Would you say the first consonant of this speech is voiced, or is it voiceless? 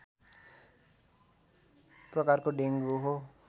voiceless